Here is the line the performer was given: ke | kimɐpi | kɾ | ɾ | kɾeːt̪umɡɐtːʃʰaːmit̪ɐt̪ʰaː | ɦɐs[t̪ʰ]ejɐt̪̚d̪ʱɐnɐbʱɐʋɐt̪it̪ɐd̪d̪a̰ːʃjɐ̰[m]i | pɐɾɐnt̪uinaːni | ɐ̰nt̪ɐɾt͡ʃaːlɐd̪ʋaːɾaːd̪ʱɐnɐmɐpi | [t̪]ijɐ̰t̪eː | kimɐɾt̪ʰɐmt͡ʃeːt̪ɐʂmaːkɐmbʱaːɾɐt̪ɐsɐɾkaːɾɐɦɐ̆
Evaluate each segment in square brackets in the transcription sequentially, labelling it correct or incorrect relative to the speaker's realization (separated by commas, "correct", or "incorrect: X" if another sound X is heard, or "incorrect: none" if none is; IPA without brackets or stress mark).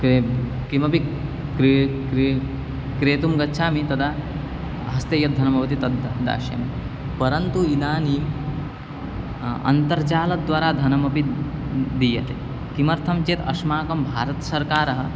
incorrect: t̪, correct, incorrect: d̪